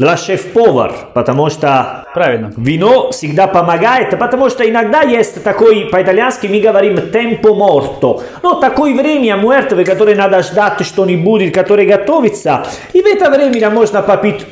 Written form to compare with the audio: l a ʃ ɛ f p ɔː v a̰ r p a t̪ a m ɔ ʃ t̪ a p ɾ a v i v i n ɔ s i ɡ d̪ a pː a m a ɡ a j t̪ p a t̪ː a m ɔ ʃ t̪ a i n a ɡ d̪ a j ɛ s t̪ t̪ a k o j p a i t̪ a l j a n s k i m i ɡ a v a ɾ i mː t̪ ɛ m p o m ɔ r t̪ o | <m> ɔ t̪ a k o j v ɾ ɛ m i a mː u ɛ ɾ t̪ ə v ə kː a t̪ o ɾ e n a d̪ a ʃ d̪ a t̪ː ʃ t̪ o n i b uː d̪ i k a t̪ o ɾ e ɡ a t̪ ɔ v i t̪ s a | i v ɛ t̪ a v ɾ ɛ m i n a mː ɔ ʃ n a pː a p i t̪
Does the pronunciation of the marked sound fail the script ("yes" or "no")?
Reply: yes